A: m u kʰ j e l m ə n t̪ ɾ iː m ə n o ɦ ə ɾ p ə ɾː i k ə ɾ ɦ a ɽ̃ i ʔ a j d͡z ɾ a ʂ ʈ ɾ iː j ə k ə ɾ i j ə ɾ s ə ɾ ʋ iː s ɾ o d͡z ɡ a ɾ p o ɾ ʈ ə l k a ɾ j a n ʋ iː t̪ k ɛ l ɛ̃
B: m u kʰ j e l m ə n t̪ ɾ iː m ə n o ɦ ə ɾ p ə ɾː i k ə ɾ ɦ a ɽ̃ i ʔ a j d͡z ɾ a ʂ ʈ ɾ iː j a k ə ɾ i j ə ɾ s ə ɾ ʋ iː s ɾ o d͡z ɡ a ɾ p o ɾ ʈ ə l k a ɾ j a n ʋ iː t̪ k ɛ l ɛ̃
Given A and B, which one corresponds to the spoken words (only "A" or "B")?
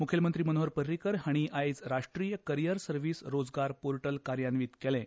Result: A